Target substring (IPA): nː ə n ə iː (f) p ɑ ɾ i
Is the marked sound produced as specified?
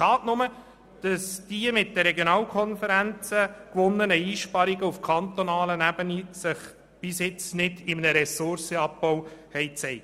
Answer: no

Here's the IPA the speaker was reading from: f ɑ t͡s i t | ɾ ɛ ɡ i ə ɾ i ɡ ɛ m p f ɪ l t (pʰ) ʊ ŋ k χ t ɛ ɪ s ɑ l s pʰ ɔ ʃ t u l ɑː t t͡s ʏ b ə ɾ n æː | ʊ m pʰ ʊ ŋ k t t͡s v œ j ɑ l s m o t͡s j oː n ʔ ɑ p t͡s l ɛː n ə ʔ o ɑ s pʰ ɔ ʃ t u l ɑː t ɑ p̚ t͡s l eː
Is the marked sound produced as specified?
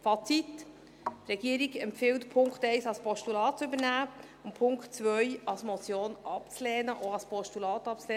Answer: yes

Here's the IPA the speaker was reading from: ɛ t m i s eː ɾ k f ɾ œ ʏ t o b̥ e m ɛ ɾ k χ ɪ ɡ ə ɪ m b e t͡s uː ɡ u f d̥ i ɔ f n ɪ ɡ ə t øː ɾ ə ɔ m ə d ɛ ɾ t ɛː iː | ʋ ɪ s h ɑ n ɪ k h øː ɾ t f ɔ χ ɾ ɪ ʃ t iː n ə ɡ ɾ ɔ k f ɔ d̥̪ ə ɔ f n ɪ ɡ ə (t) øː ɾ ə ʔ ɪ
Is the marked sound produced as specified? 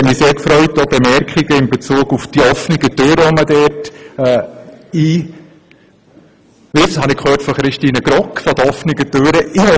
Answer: yes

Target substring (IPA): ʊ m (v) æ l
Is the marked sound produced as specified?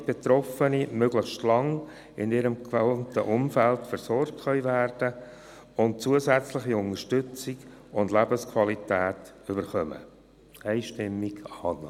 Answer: no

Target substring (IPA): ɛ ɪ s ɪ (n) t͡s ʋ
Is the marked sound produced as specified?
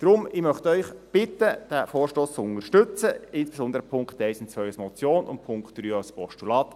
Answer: yes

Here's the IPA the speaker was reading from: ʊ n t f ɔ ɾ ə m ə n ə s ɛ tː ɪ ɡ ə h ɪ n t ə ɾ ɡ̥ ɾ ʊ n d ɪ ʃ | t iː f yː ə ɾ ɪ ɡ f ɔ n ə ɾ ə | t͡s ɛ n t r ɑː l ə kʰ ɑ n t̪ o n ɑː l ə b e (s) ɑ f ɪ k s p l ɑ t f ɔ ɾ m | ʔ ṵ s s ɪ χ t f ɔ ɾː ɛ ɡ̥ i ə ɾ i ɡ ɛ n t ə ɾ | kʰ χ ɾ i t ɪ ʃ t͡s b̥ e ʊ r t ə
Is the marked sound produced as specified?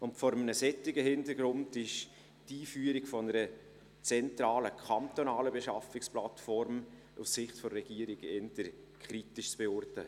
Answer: no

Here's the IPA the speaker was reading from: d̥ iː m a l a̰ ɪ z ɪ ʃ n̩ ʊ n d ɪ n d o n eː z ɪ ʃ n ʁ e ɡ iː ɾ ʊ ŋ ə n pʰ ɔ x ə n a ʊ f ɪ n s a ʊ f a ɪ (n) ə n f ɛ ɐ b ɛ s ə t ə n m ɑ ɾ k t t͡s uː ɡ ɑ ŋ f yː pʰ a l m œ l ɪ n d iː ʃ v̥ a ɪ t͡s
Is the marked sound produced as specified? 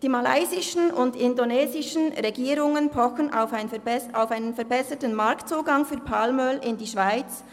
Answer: yes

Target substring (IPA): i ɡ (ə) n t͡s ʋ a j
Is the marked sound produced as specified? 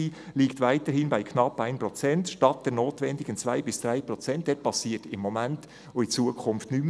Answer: yes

